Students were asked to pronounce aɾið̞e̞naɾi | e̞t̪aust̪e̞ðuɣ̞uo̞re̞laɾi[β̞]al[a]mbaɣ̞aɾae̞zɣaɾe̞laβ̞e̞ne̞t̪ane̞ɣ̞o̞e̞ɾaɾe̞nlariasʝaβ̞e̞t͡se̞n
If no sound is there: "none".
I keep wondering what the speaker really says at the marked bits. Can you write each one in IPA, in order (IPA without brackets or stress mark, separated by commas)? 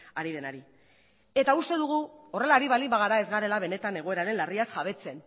β̞, i